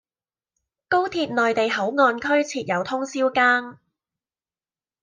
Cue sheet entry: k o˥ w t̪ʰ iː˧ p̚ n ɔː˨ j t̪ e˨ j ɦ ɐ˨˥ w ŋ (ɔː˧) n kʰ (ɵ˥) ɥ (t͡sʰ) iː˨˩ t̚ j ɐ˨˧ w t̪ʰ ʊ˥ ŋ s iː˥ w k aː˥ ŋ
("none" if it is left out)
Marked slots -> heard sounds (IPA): ɔː˧, ɵ˥, t͡sʰ

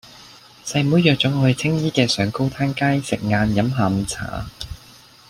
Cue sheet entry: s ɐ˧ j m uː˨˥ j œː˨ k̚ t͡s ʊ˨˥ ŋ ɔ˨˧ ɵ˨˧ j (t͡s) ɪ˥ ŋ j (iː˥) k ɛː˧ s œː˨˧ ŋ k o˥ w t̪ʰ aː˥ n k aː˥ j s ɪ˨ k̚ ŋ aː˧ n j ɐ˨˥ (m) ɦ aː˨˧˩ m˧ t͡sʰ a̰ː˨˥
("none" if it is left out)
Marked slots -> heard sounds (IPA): t͡sʰ, iː˥, m

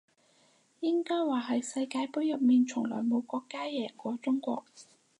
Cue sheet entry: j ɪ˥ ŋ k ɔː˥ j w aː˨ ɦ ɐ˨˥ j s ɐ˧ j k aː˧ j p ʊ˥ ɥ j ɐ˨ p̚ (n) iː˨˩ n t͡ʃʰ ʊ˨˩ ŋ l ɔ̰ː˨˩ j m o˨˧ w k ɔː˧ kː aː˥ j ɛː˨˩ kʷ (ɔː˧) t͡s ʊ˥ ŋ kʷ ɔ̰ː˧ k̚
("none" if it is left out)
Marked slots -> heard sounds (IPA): m, ɔː˨˧˥

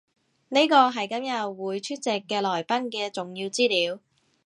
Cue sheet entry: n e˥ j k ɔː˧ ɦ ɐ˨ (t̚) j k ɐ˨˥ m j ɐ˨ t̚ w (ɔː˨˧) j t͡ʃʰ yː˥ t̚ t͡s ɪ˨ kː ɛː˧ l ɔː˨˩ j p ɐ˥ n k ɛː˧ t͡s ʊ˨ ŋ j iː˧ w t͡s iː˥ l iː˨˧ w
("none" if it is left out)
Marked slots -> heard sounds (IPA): none, uː˨˧

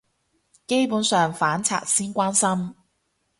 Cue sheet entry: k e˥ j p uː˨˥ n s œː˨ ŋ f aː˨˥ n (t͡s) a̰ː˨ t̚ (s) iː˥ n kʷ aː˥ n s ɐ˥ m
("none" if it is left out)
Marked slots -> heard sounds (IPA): t͡sʰ, s

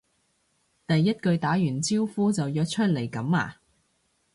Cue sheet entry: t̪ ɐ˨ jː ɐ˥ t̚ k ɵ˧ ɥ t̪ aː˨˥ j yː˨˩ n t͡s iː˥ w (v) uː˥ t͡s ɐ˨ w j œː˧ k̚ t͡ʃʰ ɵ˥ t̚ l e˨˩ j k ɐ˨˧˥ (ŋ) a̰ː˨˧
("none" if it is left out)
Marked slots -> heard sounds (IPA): f, m

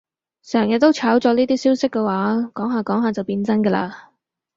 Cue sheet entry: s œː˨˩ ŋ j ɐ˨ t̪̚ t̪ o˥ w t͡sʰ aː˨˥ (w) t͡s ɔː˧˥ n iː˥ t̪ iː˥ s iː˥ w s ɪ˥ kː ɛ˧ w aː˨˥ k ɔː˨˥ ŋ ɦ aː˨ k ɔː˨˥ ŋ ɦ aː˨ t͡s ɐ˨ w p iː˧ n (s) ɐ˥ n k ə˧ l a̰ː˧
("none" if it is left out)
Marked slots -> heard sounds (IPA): w, t͡s

